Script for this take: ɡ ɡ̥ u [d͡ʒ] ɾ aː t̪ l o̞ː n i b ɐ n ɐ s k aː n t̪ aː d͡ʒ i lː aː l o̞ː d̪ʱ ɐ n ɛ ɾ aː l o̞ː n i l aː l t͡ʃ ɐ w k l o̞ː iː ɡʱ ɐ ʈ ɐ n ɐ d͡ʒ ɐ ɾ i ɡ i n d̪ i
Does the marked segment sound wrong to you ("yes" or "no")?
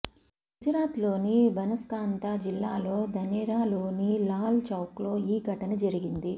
no